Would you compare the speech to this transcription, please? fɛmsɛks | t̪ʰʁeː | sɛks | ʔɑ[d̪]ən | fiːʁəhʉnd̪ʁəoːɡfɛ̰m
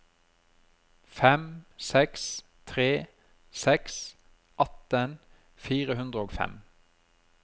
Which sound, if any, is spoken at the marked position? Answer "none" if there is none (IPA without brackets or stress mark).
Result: t̪